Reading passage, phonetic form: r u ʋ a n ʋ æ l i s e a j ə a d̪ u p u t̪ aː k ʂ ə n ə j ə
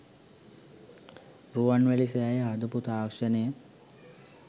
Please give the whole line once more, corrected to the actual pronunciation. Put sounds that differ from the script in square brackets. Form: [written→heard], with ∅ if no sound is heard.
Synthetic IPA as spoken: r u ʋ a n ʋ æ l i s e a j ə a d̪ u p u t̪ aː k ʂ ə n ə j ə